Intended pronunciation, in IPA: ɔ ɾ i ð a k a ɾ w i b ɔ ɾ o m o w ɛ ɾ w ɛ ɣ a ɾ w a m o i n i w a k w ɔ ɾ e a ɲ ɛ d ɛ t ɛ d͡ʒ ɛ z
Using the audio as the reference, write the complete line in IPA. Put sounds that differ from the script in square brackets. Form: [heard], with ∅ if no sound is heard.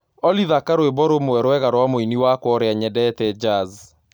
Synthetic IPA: ɔ [l] i ð a k a ɾ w [e] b ɔ ɾ o m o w ɛ ɾ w ɛ ɣ a ɾ w a m o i n i w a k w ɔ ɾ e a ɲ ɛ d ɛ t ɛ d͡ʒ [a] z